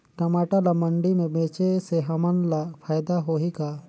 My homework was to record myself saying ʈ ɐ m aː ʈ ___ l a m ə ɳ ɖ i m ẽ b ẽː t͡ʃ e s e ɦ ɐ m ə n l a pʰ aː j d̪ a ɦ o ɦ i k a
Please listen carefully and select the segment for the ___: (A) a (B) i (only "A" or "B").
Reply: A